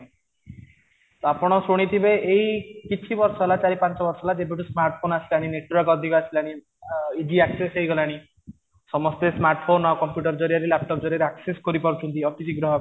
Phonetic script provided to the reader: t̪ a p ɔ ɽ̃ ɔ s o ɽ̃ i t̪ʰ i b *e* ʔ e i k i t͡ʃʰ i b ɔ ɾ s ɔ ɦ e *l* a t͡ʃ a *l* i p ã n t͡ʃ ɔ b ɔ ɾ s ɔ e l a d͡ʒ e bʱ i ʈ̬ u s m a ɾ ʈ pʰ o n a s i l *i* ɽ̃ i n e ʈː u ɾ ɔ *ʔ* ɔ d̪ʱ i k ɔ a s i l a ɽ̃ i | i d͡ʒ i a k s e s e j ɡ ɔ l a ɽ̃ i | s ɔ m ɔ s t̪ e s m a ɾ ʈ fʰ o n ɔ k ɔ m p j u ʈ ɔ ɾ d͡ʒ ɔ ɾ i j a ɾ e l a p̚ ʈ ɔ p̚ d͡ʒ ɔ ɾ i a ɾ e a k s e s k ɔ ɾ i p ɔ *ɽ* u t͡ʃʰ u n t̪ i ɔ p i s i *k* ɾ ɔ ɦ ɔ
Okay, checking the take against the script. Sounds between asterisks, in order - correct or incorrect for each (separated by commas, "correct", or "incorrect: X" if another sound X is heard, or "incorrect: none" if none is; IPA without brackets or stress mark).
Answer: correct, correct, incorrect: ɾ, incorrect: a, incorrect: k, incorrect: ɾ, incorrect: ɡ